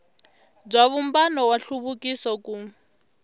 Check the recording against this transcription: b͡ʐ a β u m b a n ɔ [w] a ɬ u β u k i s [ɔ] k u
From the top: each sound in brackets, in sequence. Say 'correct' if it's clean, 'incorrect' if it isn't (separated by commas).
correct, correct